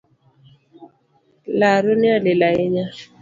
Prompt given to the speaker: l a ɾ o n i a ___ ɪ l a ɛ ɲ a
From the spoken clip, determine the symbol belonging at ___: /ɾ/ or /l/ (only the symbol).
l